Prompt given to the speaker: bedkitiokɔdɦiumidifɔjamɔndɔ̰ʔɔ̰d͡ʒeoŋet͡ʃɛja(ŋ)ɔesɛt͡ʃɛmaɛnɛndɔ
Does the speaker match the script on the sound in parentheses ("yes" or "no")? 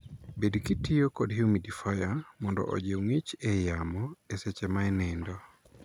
no